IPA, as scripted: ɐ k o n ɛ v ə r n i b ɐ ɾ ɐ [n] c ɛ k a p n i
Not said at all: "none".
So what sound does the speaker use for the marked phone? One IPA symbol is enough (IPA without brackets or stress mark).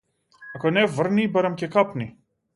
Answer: m